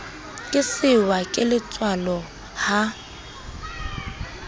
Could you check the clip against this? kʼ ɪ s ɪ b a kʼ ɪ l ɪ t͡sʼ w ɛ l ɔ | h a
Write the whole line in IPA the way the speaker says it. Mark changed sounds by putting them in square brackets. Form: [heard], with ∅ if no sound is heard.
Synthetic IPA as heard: kʼ ɪ s ɪ [w] a kʼ ɪ l ɪ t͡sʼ w [a] l ɔ | h a